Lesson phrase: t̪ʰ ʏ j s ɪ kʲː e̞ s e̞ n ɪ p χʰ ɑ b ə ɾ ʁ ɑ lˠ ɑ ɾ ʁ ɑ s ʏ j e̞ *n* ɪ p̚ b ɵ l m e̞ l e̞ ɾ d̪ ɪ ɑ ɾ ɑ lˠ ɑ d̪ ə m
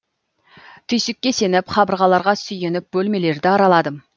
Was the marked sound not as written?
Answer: no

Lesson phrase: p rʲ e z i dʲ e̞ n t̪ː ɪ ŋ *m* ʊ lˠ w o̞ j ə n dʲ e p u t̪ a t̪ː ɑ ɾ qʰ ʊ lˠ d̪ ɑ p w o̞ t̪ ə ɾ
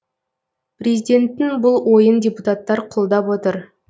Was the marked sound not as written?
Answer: yes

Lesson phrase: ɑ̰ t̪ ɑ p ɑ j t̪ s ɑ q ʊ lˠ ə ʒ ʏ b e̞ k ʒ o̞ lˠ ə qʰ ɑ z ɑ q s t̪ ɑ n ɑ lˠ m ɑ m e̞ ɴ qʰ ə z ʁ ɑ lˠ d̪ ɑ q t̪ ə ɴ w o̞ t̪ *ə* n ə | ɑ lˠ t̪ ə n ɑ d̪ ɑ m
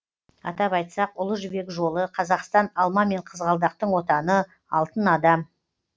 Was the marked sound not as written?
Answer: yes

